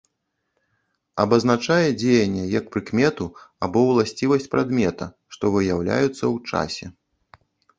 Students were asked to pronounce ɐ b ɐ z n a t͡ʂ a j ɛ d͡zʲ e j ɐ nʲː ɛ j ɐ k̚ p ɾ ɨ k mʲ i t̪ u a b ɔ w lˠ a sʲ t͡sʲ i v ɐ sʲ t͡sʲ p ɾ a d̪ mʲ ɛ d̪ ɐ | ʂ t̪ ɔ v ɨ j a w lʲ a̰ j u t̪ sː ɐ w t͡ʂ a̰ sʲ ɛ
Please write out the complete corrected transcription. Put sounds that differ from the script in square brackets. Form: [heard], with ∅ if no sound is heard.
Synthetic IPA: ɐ b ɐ z n a t͡ʂ a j ɛ d͡zʲ e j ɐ nʲː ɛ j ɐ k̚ p ɾ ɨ k mʲ [ɛ] t̪ u a b ɔ w lˠ a sʲ t͡sʲ i v ɐ sʲ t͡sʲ p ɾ a d̪ mʲ ɛ [t̪] ɐ | ʂ t̪ ɔ v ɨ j a w lʲ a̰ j u t̪ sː ɐ w t͡ʂ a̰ sʲ ɛ